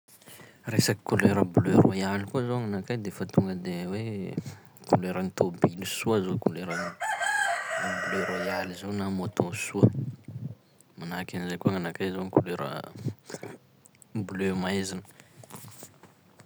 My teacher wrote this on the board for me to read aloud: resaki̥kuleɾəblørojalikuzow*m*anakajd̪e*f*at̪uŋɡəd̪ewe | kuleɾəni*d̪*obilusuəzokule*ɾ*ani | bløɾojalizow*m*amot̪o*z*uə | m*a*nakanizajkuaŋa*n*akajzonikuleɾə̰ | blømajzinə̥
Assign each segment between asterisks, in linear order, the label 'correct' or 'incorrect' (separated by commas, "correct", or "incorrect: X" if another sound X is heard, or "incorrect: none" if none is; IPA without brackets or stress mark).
incorrect: ŋ, correct, incorrect: t̪, correct, incorrect: n, incorrect: s, correct, correct